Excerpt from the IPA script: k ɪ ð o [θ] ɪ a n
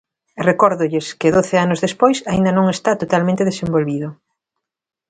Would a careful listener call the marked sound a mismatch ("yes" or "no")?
no